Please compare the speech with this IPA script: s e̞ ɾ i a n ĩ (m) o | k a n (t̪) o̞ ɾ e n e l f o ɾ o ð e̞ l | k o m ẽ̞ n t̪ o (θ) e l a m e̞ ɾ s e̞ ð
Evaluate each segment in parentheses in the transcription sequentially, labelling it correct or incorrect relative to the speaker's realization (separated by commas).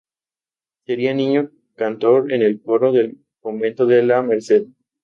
incorrect, correct, incorrect